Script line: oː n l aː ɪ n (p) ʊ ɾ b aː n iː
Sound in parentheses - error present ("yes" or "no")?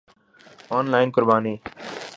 yes